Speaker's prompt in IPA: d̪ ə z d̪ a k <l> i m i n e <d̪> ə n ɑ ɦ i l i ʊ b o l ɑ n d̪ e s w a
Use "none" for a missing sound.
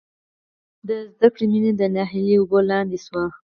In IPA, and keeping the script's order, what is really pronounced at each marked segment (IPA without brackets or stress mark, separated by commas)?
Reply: ɽ, d̪